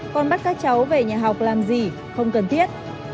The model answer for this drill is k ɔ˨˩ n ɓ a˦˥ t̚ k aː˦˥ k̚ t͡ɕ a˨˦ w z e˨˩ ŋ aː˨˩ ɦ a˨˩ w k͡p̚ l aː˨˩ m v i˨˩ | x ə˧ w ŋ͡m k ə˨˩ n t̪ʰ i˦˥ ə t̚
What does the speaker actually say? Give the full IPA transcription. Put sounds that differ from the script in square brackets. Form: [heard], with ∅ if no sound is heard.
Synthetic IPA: k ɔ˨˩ n ɓ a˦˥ t̚ k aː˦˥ k̚ t͡ɕ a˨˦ w [v] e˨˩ [ɲ] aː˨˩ ɦ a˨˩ w k͡p̚ l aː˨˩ m [z] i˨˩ | x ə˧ w ŋ͡m k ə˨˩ n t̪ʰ i˦˥ ə t̚